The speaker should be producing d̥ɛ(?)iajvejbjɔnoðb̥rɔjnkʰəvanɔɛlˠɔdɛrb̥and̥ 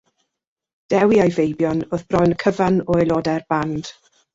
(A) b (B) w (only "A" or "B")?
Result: B